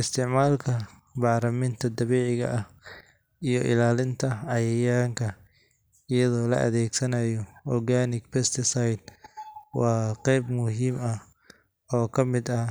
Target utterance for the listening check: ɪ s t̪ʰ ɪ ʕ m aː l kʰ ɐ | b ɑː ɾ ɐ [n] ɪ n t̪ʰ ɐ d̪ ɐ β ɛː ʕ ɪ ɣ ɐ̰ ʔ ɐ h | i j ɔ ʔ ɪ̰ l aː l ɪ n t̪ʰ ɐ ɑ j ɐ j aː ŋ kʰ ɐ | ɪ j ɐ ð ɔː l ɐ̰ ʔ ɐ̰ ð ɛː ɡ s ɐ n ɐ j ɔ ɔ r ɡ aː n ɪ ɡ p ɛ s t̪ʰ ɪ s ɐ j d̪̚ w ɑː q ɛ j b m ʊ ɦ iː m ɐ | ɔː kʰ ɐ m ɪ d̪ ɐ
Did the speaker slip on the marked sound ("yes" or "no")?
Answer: yes